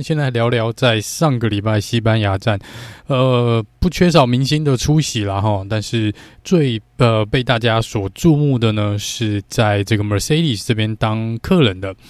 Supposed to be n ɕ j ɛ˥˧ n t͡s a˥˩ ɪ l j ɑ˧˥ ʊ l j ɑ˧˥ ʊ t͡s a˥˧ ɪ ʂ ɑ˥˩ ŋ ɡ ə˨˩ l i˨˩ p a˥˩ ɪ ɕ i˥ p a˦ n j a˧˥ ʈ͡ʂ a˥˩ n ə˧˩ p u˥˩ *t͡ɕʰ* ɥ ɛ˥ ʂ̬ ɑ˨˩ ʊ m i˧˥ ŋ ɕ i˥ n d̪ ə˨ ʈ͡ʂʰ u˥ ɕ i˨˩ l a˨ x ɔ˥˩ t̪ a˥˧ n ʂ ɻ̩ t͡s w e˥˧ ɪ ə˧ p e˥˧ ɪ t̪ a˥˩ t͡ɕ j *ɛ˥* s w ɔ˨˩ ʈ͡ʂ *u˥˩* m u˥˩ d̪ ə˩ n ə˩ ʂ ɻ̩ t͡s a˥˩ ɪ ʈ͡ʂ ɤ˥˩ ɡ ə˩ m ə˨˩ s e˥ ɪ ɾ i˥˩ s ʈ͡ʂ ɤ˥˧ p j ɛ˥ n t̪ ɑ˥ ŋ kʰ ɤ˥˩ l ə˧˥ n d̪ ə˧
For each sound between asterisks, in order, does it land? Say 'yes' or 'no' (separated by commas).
yes, no, no